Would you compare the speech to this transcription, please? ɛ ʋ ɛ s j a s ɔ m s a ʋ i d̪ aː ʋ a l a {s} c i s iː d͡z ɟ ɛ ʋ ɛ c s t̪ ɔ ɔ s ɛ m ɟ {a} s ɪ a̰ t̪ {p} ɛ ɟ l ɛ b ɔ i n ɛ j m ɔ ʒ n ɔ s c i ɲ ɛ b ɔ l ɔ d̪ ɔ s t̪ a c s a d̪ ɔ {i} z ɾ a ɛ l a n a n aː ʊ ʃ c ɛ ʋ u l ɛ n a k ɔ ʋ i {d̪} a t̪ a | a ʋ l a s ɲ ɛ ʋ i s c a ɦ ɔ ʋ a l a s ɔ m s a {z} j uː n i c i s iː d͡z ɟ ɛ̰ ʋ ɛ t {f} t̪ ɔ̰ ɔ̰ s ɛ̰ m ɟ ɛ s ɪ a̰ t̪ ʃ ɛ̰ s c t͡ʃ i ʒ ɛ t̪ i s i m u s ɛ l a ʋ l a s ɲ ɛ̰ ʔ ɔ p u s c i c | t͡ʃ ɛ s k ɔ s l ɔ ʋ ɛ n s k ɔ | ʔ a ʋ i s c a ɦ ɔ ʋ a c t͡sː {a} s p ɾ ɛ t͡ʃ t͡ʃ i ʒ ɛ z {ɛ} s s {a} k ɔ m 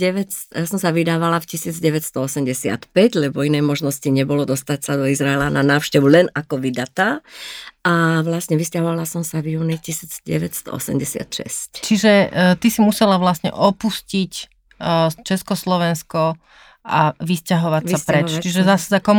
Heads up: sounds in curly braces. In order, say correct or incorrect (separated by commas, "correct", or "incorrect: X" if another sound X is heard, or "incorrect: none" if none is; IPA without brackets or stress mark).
incorrect: f, incorrect: ɛ, correct, correct, correct, incorrect: v, incorrect: s, correct, incorrect: a, correct